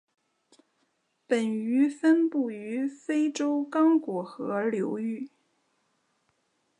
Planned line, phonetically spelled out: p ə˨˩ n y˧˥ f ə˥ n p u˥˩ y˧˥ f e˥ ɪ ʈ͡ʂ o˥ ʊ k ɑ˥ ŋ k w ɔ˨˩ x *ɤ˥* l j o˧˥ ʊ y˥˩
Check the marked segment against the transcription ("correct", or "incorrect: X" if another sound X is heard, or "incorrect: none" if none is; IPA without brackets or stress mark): incorrect: ɤ˧˥